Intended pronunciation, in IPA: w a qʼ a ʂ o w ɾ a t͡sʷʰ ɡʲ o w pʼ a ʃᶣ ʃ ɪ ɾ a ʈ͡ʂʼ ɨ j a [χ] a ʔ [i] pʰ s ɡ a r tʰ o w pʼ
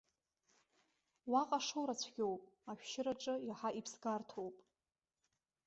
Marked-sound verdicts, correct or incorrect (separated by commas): incorrect, correct